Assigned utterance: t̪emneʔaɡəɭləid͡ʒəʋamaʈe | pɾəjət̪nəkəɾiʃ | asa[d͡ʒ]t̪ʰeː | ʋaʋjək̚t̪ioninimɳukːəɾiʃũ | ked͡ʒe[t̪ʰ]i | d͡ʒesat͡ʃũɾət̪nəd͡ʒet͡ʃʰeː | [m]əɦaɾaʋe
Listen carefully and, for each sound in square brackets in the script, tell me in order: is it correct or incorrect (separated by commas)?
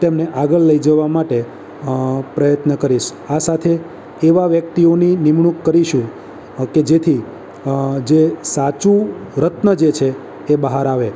incorrect, correct, incorrect